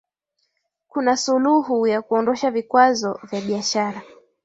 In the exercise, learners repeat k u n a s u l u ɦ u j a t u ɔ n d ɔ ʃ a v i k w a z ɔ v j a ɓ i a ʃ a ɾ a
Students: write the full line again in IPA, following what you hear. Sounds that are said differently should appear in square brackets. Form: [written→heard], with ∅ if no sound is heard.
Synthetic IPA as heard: k u n a s u l u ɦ u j a [t→k] u ɔ n d ɔ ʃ a v i k w a z ɔ v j a ɓ i a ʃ a ɾ a